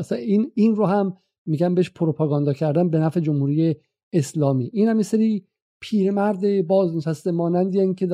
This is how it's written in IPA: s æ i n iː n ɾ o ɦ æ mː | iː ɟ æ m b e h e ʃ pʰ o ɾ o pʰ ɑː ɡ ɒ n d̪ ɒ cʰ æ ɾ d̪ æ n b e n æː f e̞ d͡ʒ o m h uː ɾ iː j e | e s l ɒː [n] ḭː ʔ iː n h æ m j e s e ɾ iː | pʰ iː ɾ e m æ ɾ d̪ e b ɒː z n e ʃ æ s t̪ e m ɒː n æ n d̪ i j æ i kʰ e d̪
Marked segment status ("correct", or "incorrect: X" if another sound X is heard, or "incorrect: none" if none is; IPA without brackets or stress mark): incorrect: m